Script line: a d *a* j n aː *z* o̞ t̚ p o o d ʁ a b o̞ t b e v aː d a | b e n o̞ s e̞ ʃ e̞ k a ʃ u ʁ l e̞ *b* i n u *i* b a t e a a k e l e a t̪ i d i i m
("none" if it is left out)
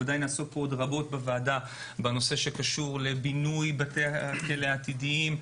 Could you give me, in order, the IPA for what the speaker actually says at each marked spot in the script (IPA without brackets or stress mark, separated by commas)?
a, s, b, j